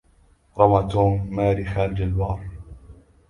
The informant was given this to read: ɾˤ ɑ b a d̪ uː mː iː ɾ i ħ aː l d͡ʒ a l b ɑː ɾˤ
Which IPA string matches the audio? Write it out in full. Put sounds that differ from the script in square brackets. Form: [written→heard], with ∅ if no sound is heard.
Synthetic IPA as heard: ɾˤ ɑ [b→m] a [d̪→t̪] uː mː [iː→aː] ɾ i [ħ→x] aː l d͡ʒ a l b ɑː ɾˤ